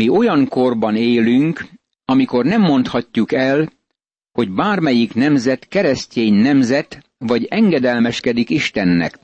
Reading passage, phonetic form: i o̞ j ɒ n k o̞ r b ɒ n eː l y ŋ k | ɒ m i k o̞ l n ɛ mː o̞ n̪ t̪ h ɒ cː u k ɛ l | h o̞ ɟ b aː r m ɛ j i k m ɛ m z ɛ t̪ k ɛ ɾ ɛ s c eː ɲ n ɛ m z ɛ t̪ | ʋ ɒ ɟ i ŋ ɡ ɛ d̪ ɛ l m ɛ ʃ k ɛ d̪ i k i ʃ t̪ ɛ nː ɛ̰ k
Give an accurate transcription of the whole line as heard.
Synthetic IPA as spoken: i o̞ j ɒ ŋ k o̞ r b ɒ n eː l y ŋ k | ɒ m i k o̞ r n ɛ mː o̞ n̪ t̪ h ɒ cː u k ɛ l | h o̞ ɟ b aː r m ɛ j i k n ɛ m z ɛ t̪ k ɛ ɾ ɛ s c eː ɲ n ɛ m z ɛ t̪ | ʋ ɒ ɟ ɛ ŋ ɡ ɛ d̪ ɛ l m ɛ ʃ k ɛ d̪ i k i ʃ t̪ ɛ nː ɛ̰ k